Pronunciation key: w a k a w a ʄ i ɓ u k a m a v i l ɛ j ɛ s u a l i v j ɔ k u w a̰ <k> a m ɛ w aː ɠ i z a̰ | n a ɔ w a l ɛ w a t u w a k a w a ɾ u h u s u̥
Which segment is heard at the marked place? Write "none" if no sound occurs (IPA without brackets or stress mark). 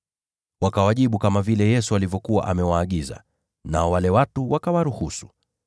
ʔ